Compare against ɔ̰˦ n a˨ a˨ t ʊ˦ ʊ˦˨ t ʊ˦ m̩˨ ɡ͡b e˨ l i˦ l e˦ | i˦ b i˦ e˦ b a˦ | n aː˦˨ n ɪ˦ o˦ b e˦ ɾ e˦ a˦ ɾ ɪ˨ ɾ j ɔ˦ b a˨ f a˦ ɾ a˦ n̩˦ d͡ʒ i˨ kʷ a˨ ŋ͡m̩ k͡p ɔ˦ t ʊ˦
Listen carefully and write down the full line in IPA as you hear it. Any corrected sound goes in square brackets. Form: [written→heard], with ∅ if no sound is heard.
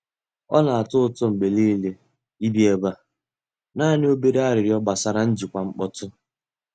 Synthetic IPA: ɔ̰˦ n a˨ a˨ t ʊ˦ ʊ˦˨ t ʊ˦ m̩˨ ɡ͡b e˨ l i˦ l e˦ | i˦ b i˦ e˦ b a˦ | n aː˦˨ n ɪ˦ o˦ b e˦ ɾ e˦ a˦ ɾ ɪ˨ ɾ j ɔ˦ b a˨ [f→s] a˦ ɾ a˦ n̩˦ d͡ʒ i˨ kʷ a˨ ŋ͡m̩ k͡p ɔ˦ t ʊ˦